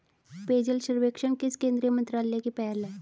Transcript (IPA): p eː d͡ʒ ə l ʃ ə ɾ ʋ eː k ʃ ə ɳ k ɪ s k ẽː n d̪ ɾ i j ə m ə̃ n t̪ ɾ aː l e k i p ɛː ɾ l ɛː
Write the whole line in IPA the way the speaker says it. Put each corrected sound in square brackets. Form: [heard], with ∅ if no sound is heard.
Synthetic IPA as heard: p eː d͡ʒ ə l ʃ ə ɾ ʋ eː k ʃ ə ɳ k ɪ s k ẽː n d̪ ɾ i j ə m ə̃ n t̪ ɾ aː l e k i p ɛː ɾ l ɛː